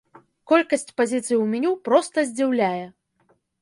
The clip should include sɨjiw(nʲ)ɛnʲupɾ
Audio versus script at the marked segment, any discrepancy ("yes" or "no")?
yes